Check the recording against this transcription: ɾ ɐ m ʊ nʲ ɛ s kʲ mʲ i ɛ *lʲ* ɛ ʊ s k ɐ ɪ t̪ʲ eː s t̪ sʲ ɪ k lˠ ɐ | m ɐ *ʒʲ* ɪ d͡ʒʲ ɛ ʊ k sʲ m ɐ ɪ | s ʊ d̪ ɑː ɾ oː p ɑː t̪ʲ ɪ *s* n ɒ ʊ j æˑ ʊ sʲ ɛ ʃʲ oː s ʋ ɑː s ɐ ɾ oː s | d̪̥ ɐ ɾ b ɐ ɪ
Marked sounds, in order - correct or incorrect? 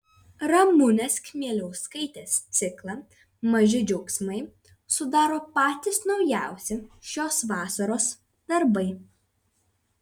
correct, correct, correct

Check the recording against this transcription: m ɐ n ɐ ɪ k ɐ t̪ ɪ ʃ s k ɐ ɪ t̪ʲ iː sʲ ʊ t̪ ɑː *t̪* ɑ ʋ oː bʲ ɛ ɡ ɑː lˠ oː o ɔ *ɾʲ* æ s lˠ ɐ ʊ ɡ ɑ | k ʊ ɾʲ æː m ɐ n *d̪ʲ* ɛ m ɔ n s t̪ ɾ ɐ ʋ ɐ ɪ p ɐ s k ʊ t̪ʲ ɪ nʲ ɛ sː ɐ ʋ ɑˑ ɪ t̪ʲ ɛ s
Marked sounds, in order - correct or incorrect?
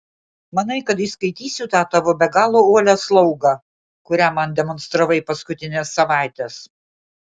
correct, incorrect: lʲ, correct

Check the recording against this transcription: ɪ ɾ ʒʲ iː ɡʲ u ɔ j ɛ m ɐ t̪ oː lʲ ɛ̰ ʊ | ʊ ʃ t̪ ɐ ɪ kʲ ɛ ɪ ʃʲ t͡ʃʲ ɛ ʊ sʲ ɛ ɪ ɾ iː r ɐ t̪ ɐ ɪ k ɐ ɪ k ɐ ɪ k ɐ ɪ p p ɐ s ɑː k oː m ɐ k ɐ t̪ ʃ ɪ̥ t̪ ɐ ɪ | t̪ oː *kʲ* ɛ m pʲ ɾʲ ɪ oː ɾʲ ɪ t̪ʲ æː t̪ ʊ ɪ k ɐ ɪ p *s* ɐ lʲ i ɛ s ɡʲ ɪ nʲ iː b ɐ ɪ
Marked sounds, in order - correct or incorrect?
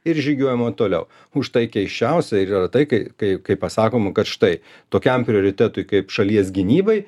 correct, incorrect: ʃ

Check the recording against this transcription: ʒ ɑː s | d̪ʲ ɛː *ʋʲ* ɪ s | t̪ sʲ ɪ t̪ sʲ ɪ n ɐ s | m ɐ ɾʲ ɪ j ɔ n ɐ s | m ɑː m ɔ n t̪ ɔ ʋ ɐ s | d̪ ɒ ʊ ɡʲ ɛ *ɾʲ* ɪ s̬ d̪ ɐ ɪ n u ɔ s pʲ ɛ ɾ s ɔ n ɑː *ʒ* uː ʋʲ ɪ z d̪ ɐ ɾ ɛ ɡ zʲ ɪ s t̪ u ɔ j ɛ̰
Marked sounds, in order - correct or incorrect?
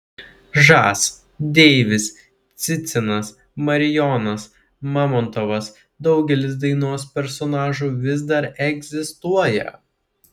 correct, incorrect: lʲ, correct

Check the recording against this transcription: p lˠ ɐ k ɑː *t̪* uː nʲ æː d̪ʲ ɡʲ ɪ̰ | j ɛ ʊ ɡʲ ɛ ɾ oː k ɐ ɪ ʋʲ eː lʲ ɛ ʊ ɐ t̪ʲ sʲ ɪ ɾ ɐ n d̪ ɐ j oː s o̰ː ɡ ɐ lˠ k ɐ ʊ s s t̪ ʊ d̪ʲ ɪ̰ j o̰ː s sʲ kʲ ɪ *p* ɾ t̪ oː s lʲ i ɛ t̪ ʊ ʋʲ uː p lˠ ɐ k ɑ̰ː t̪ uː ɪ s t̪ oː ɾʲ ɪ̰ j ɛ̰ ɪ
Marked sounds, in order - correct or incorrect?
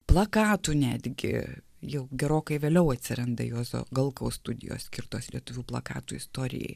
correct, incorrect: none

